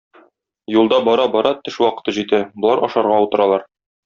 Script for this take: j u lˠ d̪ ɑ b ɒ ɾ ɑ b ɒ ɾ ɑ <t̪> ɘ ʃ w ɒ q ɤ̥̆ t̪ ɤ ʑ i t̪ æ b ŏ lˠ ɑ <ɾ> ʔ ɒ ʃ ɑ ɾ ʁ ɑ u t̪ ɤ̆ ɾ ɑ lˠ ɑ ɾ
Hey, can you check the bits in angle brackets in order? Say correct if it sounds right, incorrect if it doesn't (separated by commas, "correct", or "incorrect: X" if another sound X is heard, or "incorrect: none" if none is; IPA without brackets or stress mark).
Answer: correct, correct